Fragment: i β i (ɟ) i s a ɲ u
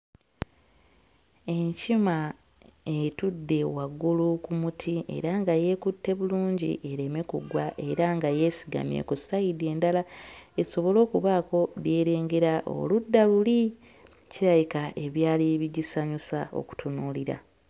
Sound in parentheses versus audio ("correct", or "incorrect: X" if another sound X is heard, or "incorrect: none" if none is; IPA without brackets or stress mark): correct